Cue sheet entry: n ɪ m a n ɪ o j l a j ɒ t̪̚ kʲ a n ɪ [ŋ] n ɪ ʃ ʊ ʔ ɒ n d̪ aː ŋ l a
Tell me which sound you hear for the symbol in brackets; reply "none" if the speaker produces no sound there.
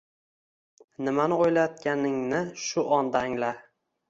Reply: ŋ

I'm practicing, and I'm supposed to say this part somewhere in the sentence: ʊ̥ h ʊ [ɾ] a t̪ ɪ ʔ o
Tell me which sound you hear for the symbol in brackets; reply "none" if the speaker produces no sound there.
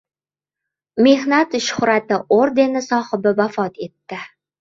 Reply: ɾ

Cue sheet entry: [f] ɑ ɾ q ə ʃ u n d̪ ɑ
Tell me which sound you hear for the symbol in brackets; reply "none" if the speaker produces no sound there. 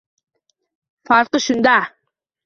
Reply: f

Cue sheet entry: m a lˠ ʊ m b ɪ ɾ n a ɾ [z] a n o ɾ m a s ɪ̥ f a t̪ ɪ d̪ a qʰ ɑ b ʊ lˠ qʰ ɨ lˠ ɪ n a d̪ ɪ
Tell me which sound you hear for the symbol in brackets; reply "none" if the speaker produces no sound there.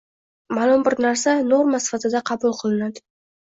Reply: s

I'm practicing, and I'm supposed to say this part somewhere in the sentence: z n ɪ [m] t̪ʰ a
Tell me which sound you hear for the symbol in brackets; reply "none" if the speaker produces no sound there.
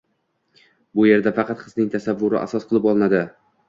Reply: ŋ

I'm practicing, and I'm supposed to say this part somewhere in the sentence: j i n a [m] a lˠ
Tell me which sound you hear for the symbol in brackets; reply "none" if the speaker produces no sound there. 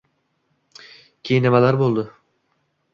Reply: m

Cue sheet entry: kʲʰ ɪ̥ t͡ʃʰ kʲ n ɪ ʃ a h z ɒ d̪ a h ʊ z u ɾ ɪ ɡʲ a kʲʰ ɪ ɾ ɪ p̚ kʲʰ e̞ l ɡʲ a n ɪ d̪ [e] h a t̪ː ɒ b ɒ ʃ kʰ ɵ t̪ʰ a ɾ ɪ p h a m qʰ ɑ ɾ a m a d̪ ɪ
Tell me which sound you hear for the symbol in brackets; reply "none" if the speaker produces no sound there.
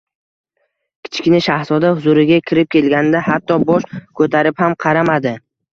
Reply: a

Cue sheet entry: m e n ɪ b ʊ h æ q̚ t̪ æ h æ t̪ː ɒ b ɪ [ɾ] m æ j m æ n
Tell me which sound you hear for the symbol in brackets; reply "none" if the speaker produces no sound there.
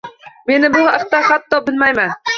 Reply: l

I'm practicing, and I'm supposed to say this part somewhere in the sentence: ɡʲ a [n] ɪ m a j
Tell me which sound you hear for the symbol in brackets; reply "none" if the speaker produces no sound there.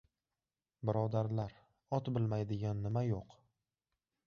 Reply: nː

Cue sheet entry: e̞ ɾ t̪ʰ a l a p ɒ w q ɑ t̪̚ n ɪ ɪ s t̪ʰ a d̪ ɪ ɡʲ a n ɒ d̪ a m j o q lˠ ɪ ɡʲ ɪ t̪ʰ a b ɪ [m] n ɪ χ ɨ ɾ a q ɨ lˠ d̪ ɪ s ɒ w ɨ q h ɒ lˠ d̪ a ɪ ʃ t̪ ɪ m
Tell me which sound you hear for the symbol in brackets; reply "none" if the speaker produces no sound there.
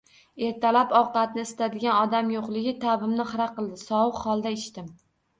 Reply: m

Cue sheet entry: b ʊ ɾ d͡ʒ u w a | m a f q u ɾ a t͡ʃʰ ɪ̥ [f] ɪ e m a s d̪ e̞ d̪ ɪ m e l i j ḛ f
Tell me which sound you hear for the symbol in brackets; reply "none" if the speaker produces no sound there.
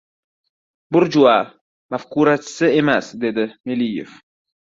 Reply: s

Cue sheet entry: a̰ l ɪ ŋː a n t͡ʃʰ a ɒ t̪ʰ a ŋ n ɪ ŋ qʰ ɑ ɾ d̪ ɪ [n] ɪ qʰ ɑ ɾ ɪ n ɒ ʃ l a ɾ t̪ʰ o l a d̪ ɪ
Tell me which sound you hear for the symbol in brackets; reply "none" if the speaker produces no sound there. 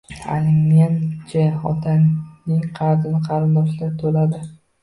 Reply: n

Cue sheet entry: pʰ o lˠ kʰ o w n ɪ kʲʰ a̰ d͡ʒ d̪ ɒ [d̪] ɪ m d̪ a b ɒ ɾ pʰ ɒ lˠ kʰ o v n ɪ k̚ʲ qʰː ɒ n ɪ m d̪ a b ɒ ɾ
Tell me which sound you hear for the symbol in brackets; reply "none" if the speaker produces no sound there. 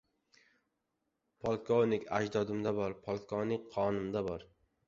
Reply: d̪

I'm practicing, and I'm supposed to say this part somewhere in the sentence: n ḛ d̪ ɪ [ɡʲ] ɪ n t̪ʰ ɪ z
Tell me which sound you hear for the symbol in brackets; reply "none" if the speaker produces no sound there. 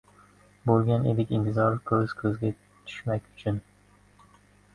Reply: kʲ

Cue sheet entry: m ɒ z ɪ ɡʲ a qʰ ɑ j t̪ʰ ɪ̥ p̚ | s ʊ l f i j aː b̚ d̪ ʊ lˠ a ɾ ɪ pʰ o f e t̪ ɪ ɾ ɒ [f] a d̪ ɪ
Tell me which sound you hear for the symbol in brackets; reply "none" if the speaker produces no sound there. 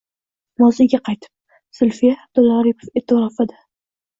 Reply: f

